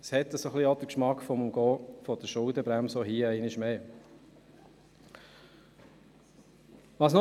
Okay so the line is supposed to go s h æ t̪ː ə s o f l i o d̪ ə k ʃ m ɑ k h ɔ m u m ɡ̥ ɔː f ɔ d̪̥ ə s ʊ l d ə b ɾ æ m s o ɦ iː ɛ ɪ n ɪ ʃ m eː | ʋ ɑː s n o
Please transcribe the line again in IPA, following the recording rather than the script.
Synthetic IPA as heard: s h ɛ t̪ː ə s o χ l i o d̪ ə k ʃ m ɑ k f ɔ m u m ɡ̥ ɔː f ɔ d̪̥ ə ʃ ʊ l d ə b ɾ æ m s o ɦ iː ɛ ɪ n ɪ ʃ m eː | ʋ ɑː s n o